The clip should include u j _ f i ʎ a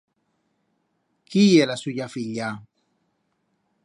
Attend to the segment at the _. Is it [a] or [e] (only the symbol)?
a